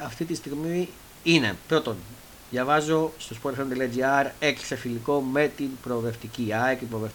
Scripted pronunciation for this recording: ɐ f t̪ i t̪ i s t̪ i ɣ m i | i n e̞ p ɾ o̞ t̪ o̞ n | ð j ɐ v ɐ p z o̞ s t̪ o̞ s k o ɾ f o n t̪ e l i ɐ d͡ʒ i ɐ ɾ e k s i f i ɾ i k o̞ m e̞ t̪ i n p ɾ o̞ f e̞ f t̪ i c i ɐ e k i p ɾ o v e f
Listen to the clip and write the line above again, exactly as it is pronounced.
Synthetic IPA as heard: ɐ f t̪ i t̪ i s t̪ i ɣ m i | i n e̞ p ɾ o̞ t̪ o̞ n | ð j ɐ v ɐ z o̞ s t̪ o̞ s p o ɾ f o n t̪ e l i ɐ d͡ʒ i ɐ ɾ e k s e f i l i k o̞ m e̞ t̪ i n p ɾ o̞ v e̞ f t̪ i c i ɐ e k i p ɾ o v e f